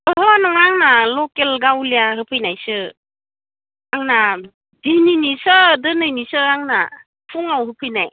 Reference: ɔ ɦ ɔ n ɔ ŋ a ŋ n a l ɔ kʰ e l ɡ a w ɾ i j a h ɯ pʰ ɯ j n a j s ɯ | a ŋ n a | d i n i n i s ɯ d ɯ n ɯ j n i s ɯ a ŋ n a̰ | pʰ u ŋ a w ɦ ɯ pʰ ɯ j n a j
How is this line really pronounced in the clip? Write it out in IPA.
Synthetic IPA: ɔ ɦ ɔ n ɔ ŋ a ŋ n a l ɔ k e l ɡ a w l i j a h ɯ pʰ ɯ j n a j s ɯ | a ŋ n a | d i n i n i s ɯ d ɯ n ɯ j n i s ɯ a ŋ n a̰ | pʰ u ŋ a w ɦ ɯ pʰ ɯ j n a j